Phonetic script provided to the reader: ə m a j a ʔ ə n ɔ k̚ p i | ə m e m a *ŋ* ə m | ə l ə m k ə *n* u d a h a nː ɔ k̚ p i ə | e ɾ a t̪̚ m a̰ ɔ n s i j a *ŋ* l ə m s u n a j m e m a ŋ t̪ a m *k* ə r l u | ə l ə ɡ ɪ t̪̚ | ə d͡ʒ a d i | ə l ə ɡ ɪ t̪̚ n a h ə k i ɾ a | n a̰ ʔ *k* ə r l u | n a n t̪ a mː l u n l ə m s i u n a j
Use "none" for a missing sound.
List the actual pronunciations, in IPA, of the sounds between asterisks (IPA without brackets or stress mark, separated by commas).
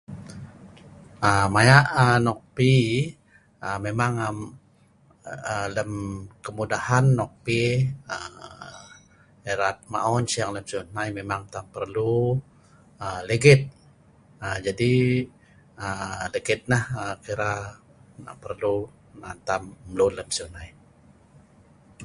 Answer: ŋ, m, ŋ, p, p